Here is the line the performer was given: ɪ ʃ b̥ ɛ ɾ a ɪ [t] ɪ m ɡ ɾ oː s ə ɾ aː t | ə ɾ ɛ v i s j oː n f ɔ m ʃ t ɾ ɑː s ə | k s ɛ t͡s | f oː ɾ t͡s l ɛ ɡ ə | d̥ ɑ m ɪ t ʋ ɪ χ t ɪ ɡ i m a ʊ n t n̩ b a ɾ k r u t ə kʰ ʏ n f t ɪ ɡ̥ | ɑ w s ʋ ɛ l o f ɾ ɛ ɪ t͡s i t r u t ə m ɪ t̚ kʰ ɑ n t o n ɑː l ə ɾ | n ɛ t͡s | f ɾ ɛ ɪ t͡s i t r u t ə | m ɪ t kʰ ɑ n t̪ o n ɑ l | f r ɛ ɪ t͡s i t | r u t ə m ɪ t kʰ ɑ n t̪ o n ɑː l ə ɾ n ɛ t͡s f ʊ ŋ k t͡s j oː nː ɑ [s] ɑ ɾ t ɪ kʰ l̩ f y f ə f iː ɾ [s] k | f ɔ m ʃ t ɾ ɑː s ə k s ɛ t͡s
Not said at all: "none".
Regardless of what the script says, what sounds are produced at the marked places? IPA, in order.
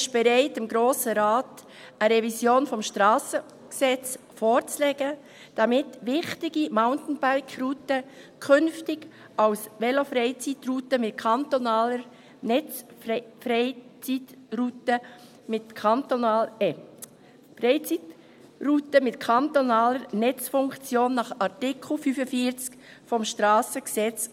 t, χ, t͡s

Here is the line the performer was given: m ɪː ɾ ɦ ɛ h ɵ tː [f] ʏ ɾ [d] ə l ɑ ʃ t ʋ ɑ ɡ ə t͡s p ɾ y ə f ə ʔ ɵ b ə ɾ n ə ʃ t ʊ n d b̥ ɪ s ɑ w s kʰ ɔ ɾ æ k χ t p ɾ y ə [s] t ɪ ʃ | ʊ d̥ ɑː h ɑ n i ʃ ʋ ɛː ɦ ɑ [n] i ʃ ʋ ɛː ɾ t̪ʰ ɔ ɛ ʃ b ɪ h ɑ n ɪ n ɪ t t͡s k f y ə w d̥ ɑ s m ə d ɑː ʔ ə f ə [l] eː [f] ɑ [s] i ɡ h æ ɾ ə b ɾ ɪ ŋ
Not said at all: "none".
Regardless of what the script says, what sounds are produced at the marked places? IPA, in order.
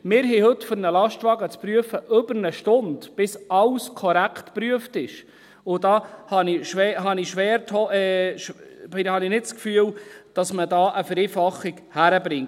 f, n, f, n, ɾ, f, χ

